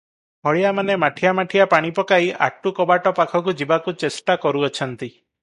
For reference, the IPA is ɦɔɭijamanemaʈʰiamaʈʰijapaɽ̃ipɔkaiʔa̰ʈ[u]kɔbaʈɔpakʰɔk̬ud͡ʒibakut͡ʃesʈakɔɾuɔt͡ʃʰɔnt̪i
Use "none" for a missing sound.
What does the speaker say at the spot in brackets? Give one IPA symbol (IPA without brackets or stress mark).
u